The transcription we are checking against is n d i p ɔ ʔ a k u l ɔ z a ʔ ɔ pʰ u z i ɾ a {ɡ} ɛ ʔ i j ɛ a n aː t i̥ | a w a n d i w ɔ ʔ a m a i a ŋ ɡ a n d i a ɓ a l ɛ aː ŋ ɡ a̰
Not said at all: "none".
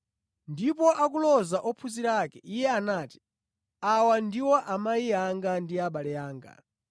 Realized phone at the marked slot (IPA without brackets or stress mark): k